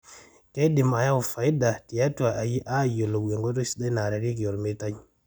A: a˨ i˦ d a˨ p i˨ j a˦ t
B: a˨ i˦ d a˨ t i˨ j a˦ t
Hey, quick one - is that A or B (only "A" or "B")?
B